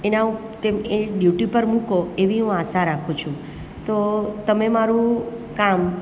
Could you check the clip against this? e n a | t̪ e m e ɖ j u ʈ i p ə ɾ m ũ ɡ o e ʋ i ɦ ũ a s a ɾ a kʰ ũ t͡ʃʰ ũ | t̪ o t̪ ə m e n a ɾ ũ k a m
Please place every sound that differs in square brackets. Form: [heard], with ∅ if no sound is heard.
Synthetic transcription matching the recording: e n a | t̪ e m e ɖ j u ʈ i p ə ɾ m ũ [k] o e ʋ i ɦ ũ a s a ɾ a kʰ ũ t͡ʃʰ ũ | t̪ o t̪ ə m e [m] a ɾ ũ k a m